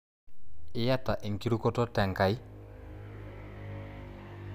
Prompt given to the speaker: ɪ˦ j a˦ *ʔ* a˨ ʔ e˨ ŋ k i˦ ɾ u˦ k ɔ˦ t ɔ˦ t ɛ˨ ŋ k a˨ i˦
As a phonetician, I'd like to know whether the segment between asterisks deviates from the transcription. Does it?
yes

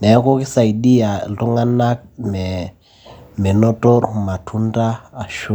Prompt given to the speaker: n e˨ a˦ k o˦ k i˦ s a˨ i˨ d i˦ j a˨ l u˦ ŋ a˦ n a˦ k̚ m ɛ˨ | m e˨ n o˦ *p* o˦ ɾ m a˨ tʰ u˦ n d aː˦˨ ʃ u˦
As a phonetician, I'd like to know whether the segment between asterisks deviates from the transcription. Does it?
yes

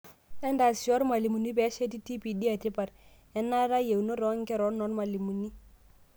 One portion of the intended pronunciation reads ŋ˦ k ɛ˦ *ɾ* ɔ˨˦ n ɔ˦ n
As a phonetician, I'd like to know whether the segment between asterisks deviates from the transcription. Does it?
no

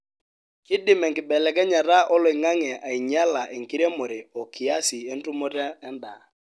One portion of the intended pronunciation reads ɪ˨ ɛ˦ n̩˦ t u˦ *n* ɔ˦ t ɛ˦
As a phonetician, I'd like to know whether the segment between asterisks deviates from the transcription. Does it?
yes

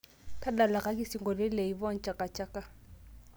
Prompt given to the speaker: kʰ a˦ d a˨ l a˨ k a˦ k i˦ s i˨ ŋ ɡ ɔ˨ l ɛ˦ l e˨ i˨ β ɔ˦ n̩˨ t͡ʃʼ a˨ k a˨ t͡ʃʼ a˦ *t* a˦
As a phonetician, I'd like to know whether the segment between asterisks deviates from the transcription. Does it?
yes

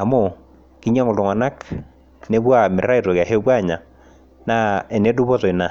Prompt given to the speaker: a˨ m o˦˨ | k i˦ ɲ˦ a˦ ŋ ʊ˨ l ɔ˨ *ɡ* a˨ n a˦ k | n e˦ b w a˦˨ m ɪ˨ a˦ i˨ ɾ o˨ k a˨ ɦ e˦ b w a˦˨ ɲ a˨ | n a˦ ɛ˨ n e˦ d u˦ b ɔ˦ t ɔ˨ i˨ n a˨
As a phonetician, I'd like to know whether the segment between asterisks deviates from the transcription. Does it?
yes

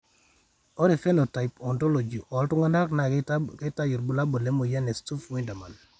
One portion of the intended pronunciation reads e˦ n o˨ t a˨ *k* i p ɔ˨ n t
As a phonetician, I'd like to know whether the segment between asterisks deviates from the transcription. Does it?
yes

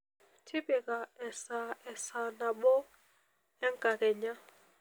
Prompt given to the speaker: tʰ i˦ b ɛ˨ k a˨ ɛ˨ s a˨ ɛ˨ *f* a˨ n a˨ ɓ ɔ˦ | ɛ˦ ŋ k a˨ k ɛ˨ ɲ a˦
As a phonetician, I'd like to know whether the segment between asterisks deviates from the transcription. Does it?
yes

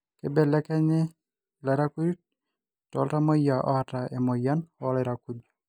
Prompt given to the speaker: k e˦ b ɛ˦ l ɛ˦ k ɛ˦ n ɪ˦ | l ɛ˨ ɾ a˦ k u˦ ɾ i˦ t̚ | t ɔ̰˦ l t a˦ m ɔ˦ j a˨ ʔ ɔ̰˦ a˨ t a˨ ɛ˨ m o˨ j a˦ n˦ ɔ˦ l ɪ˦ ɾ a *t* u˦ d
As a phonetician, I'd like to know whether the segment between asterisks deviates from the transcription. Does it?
yes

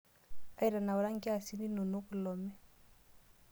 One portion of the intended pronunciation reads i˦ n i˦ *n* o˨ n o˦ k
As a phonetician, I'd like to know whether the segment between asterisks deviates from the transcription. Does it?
no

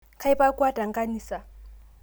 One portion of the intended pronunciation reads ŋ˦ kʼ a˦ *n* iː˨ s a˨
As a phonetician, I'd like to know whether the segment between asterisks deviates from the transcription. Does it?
no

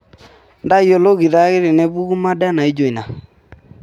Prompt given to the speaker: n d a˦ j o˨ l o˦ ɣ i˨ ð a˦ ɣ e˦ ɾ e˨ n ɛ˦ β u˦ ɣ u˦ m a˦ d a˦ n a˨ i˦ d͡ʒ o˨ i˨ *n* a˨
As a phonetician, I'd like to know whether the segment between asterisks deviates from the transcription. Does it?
no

